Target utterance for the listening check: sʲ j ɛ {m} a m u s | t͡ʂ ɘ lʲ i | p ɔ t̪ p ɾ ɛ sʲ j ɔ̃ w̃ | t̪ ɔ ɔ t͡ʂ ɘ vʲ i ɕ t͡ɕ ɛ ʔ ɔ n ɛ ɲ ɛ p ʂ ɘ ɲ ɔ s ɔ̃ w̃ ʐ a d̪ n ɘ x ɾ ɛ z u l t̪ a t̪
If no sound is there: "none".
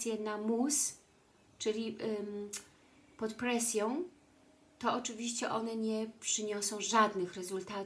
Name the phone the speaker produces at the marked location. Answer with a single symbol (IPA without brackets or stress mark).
n